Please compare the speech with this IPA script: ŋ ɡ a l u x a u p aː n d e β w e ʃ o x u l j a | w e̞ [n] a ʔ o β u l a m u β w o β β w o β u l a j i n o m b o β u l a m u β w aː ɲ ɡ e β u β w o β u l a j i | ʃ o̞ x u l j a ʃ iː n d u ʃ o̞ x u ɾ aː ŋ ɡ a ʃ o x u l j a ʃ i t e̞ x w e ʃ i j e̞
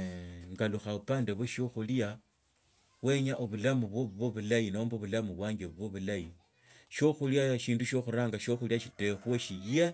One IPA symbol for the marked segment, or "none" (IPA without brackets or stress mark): ɲ